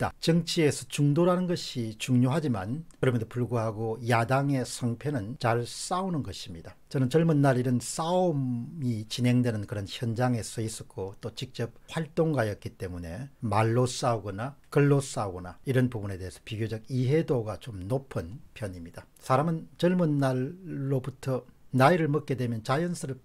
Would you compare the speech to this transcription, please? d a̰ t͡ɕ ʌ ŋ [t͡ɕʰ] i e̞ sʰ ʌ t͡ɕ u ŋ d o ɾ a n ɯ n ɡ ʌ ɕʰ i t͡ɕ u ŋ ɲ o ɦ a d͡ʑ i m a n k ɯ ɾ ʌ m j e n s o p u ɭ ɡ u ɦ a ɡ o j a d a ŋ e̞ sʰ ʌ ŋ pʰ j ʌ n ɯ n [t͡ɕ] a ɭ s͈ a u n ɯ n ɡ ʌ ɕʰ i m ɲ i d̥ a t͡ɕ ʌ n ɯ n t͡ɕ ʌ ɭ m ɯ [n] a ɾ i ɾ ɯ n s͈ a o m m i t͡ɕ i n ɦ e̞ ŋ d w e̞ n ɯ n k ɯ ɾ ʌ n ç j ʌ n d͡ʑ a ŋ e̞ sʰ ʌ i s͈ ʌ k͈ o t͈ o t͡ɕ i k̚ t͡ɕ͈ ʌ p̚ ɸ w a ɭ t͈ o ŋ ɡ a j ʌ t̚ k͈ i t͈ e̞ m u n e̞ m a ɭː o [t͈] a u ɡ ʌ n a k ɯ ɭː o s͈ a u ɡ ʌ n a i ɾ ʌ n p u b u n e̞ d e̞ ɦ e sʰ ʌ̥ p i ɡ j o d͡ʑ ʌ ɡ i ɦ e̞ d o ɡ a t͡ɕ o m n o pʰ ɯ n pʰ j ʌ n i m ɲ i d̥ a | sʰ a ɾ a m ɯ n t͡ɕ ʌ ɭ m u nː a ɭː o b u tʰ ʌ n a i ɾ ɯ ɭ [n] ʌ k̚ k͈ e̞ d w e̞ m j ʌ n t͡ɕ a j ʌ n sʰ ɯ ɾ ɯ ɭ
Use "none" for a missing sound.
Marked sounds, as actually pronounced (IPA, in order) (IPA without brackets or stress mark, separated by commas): t͡ɕʰ, t͡ɕ, nː, s͈, m